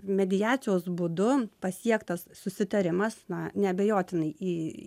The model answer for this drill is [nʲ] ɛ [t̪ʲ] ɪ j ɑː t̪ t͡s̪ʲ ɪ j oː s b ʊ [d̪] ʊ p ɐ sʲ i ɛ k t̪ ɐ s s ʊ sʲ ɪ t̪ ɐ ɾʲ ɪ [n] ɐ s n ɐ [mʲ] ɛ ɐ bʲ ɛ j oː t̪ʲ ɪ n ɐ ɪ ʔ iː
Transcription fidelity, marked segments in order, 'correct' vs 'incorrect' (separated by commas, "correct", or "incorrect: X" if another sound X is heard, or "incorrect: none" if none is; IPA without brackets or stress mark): incorrect: mʲ, incorrect: d̪ʲ, correct, incorrect: m, incorrect: nʲ